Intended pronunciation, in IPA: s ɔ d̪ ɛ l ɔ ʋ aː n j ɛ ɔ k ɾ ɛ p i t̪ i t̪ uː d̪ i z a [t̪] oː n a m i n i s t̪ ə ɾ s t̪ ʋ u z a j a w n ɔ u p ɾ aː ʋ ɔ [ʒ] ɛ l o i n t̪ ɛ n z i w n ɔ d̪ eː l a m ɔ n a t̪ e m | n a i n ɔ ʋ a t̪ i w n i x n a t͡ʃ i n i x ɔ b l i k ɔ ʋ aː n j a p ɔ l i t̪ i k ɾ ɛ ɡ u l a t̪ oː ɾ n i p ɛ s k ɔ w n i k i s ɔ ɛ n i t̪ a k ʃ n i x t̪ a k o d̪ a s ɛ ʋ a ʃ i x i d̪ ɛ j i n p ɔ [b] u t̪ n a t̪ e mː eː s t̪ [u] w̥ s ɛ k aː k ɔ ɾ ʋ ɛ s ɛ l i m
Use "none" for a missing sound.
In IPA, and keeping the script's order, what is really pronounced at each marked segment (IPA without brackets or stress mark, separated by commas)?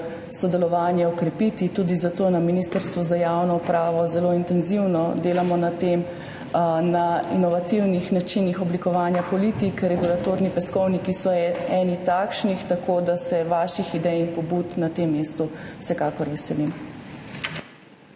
t̪, z, b, u